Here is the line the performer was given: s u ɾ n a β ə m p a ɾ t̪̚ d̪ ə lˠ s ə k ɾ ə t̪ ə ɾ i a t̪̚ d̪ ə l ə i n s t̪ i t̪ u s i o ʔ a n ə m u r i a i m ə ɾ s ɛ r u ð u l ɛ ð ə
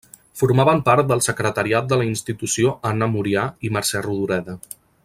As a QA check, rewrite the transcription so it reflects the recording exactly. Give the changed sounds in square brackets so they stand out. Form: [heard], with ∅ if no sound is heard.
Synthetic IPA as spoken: [f] u ɾ [m] a β ə m p a ɾ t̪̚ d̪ ə lˠ s ə k ɾ ə t̪ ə ɾ i a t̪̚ d̪ ə l ə i n s t̪ i t̪ u s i o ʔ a n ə m u [ɾ] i a i m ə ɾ s ɛ r u ð u [ɾ] ɛ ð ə